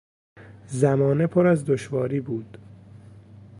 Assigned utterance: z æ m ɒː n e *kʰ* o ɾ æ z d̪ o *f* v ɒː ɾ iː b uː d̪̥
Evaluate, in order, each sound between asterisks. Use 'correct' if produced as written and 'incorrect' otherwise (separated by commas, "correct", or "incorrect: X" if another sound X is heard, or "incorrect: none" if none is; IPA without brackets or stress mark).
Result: incorrect: pʰ, incorrect: ʃ